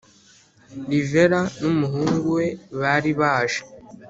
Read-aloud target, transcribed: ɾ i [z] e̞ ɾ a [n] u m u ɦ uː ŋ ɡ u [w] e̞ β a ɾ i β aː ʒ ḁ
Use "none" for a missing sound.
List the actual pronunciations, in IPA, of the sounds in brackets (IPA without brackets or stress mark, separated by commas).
v, n, w